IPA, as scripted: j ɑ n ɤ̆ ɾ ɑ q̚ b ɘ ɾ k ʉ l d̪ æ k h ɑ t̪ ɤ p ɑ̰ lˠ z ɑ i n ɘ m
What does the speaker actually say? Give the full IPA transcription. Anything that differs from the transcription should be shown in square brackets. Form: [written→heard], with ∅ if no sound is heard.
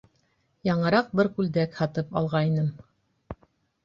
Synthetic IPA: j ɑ [n→ɴ] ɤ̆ ɾ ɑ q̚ b ɘ ɾ k ʉ l d̪ æ k h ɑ t̪ ɤ p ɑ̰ lˠ [z→ʁ] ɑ i n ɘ m